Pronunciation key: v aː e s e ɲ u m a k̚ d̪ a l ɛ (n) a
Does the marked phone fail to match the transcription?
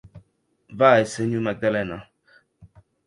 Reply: no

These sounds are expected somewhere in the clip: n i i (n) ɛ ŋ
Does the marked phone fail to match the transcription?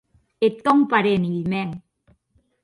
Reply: yes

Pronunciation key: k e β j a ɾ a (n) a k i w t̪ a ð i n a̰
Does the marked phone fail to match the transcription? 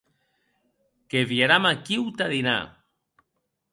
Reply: yes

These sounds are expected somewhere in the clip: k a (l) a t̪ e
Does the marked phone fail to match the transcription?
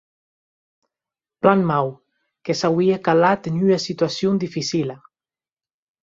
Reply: no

